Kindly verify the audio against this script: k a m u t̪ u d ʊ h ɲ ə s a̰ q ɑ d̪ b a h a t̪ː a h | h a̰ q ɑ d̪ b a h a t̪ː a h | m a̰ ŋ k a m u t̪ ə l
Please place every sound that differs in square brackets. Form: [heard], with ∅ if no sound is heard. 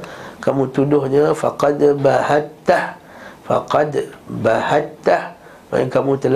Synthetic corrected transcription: k a m u t̪ u d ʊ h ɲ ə [f] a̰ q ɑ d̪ b a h a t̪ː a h | [f] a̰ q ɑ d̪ b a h a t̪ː a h | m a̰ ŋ k a m u t̪ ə l